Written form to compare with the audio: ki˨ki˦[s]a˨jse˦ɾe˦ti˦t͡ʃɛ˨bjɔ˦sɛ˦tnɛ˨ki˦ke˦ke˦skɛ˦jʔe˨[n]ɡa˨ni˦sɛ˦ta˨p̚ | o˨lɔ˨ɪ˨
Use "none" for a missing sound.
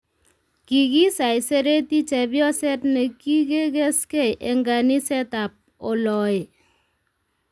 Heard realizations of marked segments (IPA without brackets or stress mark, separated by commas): s, ŋ